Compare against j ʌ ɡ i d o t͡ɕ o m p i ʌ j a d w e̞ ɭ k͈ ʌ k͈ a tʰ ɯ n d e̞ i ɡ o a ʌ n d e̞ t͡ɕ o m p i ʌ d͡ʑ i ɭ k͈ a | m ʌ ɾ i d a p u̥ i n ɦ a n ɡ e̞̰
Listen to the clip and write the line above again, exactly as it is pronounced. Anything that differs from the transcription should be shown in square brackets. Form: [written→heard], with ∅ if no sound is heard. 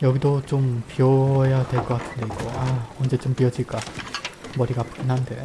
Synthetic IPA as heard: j ʌ ɡ i d o t͡ɕ o m p i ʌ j a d w e̞ ɭ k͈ ʌ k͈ a tʰ ɯ n d e̞ i ɡ o a ʌ n [d→d͡ʑ] e̞ t͡ɕ o m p i ʌ d͡ʑ i ɭ k͈ a | m ʌ ɾ i [d→ɡ] a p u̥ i n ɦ a n [ɡ→d] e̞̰